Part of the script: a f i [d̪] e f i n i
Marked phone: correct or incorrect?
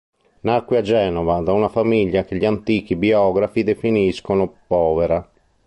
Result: correct